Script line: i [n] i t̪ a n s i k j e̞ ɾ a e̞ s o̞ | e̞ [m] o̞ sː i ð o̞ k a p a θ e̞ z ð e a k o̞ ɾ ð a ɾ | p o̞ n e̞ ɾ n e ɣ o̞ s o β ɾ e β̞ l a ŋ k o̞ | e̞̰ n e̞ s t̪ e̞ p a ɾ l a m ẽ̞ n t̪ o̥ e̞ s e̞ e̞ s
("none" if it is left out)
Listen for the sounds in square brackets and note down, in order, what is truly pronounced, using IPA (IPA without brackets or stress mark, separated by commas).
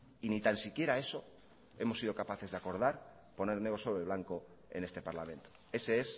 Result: n, m